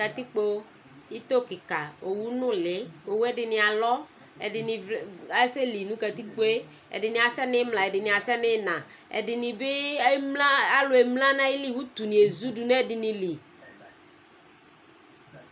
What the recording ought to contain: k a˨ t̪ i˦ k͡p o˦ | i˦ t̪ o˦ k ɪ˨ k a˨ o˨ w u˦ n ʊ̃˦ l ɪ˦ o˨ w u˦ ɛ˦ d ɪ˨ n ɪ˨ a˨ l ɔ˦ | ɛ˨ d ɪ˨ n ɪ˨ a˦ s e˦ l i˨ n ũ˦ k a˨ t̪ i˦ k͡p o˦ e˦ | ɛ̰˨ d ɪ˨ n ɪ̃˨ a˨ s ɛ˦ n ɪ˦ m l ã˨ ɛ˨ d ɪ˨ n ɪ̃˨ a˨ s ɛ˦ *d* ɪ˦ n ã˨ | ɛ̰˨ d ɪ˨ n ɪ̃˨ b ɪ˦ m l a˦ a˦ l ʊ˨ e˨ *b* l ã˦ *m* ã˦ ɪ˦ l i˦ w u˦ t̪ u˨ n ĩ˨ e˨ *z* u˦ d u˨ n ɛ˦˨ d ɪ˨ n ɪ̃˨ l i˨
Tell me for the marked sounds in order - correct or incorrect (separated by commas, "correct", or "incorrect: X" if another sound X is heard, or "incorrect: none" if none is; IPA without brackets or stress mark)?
incorrect: n, incorrect: m, incorrect: n, correct